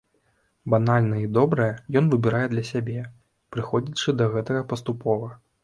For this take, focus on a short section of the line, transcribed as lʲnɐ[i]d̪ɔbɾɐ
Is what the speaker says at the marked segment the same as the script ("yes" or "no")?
yes